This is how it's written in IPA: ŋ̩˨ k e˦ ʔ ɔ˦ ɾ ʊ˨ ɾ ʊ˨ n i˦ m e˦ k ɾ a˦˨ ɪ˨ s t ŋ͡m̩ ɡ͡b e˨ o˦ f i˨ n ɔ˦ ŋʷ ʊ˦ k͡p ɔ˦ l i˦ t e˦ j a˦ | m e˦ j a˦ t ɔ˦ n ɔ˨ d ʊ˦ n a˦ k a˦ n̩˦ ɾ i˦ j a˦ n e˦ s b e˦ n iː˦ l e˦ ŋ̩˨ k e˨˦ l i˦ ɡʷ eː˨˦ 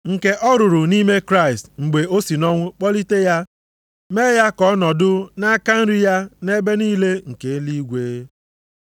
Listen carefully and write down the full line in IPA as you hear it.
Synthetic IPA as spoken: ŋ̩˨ k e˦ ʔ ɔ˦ ɾ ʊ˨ ɾ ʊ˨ n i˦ m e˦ k ɾ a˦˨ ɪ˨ s t ŋ͡m̩ ɡ͡b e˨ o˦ s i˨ n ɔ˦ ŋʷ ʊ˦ k͡p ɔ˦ l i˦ t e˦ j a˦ | m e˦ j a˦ k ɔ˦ n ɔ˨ d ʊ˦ n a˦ k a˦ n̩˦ ɾ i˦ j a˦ n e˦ b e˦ n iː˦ l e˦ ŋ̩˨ k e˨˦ l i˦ ɡʷ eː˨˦